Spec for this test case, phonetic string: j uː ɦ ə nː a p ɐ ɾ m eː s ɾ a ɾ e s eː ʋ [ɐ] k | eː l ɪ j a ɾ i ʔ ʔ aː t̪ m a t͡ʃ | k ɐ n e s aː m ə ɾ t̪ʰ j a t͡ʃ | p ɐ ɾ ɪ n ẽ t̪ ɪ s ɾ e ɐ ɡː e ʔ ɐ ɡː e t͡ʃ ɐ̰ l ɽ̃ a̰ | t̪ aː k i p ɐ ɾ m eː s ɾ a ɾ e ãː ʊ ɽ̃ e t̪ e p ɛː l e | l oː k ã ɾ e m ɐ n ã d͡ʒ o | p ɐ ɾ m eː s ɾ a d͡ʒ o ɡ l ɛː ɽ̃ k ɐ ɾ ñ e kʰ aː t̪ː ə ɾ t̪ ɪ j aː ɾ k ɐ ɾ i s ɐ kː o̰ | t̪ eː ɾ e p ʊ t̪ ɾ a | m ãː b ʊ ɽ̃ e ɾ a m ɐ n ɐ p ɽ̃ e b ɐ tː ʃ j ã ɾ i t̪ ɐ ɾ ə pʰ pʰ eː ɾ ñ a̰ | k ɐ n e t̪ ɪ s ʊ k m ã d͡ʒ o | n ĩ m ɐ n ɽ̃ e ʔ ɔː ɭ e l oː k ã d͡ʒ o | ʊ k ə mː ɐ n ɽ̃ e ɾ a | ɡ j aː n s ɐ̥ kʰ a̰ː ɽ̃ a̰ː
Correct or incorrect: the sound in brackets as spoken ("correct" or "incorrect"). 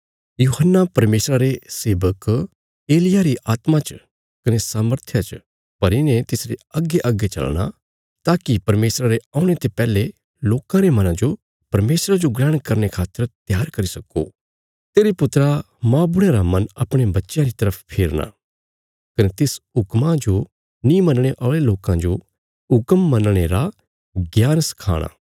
incorrect